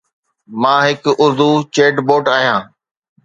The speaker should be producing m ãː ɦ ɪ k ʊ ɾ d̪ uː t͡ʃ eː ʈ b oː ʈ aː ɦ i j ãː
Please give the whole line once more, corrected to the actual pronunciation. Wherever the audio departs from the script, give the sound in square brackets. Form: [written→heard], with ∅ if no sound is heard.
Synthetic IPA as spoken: m ãː ɦ ɪ k ʊ ɾ d̪ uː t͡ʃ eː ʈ b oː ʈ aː ɦ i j ãː